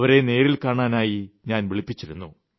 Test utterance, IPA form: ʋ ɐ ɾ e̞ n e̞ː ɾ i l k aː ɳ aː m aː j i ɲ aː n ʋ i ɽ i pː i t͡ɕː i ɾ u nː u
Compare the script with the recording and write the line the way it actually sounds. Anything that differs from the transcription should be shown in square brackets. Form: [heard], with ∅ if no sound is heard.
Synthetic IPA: ʋ ɐ ɾ e̞ n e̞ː ɾ i l k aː ɳ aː [n] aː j i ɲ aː n ʋ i [ɭ] i pː i t͡ɕː i ɾ u nː u